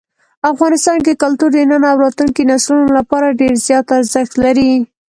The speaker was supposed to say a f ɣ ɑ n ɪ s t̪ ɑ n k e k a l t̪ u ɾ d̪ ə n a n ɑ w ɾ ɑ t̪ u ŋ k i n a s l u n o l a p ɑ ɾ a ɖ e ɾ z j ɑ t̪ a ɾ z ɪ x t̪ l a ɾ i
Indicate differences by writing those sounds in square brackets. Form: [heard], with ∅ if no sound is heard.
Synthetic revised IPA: a f ɣ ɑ n ɪ s t̪ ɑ n k e k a l t̪ u ɾ d̪ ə n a n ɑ w ɾ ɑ t̪ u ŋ k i n a s l u n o l a p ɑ ɾ a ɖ e ɾ z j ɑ t̪ a ɾ z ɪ x t̪ l a ɾ i